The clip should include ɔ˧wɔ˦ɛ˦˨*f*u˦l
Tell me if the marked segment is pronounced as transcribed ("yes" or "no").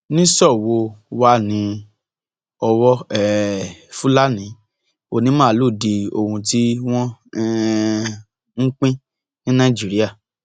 yes